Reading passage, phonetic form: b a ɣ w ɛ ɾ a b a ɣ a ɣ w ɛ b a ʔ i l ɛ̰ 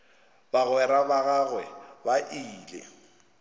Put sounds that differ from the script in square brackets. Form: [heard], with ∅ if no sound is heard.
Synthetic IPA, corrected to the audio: b a ɣ w ɛ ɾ a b a ɣ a ɣ w ɛ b a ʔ [iː] l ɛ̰

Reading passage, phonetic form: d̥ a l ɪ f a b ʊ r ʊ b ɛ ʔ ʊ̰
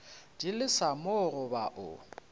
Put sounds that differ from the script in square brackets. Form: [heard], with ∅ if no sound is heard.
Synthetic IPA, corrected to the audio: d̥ [i] l ɪ [s] a [m] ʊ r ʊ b [a] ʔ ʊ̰

